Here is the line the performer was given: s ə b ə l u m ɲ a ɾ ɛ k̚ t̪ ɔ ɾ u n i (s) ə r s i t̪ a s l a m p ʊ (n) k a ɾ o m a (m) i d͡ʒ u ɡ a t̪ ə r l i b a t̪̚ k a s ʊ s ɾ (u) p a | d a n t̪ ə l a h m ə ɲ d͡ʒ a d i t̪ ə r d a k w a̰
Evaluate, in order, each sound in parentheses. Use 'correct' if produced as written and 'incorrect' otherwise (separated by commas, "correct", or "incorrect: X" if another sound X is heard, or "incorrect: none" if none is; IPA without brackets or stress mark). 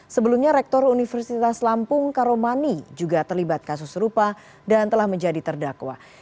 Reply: incorrect: f, incorrect: ŋ, incorrect: n, correct